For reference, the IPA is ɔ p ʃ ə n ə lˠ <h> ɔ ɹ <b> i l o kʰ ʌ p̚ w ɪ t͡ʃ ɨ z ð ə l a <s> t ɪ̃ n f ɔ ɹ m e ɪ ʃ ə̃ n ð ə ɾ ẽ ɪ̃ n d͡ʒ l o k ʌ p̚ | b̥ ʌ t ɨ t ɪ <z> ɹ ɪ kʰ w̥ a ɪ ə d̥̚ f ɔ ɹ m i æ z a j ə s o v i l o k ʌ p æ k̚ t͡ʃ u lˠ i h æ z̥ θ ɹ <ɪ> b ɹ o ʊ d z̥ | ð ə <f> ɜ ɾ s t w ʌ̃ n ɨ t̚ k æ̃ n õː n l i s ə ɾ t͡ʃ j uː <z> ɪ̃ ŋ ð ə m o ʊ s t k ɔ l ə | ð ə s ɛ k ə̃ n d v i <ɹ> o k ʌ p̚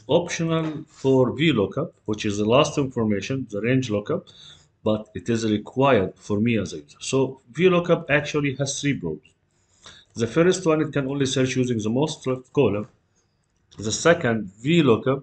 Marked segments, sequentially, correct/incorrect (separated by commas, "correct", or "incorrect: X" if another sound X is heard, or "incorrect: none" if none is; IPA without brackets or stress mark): incorrect: f, incorrect: v, correct, correct, incorrect: i, correct, correct, incorrect: l